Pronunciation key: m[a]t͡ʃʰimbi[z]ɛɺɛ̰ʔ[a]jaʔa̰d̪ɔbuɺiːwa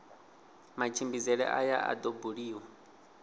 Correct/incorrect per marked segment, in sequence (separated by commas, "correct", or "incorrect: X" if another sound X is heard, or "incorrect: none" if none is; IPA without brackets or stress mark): correct, correct, correct